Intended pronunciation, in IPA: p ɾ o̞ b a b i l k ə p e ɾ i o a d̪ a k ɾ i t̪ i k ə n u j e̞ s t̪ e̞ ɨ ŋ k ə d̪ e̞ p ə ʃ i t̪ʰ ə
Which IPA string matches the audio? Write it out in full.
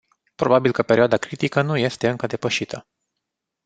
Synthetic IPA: p ɾ o̞ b a b i l k ə p e ɾ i o a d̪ a k ɾ i t̪ i k ə n u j e̞ s t̪ e̞ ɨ ŋ k ə d̪ e̞ p ə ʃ i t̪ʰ ə

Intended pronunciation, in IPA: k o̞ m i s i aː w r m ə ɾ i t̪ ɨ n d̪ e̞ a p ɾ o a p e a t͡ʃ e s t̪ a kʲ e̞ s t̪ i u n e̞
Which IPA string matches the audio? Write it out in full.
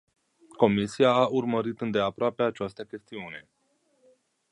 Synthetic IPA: k o̞ m i s i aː u r m ə ɾ i t̪ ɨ n d̪ e̞ a p ɾ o a p e a t͡ʃ a s t̪ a kʲ e̞ s t̪ i u n e̞

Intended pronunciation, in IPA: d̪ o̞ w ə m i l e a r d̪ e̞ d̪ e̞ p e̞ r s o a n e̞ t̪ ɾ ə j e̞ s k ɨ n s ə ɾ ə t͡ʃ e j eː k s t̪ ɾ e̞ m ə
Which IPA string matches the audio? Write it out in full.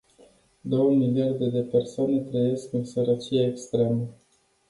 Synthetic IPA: d̪ o̞ w ə m i l i a r d̪ e̞ d̪ e̞ p e̞ r s o a n e̞ t̪ ɾ ə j e̞ s k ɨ n s ə ɾ ə t͡ʃ i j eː k s t̪ ɾ e̞ m ə

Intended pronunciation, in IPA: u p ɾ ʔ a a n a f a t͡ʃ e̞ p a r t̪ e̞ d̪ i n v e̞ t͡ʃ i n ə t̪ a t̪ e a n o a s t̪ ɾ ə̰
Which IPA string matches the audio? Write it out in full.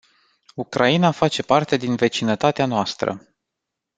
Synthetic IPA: u k ɾ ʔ a i n a f a t͡ʃ e̞ p a r t̪ e̞ d̪ i n v e̞ t͡ʃ i n ə t̪ a t̪ e a n o a s t̪ ɾ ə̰

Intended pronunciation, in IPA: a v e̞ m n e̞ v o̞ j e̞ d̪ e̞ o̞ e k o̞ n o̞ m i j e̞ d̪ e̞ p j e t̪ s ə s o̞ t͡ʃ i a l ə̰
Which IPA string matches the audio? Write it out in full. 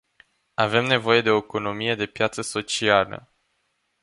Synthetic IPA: a v e̞ m n e̞ v o̞ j e̞ d̪ e̞ o̞ e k o̞ n o̞ m i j e̞ d̪ e̞ p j a t̪ s ə s o̞ t͡ʃ i a l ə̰

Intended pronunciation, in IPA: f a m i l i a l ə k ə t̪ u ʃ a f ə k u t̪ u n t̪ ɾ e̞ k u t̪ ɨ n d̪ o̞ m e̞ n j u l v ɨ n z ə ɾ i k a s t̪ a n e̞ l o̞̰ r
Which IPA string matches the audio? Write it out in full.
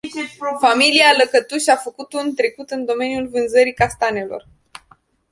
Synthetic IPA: f a m i l i a l ə k ə t̪ u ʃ a f ə k u t̪ u n t̪ ɾ e̞ k u t̪ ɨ n d̪ o̞ m e̞ n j u l v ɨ n z ə ɾ i k a s t̪ a n e̞ l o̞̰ r

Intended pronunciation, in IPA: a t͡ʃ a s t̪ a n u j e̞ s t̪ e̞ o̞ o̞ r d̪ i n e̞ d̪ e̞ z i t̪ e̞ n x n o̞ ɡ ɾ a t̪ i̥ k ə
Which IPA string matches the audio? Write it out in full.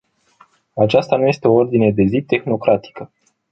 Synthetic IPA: a t͡ʃ a s t̪ a n u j e̞ s t̪ e̞ o̞ o̞ r d̪ i n e̞ d̪ e̞ z i t̪ e̞ x n o̞ k ɾ a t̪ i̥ k ə

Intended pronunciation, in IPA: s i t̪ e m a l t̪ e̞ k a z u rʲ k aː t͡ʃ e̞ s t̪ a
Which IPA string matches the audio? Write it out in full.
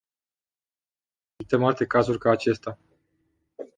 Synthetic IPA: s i t̪ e m a l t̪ e̞ k a z u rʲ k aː t͡ʃ e̞ s t̪ a

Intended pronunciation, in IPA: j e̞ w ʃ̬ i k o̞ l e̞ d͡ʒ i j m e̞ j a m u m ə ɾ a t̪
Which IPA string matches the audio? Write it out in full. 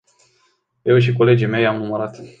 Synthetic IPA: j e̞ w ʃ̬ i k o̞ l e̞ d͡ʒ i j m e̞ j a m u m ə ɾ a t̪

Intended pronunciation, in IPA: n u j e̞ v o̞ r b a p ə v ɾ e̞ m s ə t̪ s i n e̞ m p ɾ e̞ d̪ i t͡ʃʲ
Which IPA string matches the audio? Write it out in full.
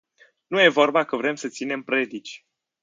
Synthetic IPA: n u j e̞ v o̞ r b a k ə v ɾ e̞ m s ə t̪ s i n e̞ m p ɾ e̞ d̪ i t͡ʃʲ

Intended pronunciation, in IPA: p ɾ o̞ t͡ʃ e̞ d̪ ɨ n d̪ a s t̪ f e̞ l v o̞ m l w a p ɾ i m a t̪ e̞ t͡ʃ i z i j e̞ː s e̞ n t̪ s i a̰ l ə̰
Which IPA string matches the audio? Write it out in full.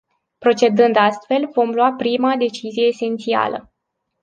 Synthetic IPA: p ɾ o̞ t͡ʃ e̞ d̪ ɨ n d̪ a s t̪ f e̞ l v o̞ m l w a p ɾ i m a d̪ e̞ t͡ʃ i z i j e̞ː s e̞ n t̪ s i a̰ l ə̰

